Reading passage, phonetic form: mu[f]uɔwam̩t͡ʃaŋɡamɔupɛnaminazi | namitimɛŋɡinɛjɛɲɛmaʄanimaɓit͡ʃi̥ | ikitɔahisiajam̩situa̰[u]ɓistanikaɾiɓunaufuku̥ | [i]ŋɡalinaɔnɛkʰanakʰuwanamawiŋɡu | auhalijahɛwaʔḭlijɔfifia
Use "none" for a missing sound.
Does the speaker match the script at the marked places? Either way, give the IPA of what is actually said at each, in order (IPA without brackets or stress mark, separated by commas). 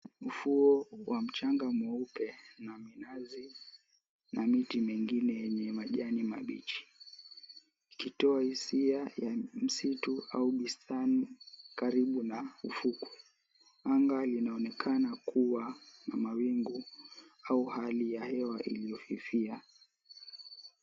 f, u, a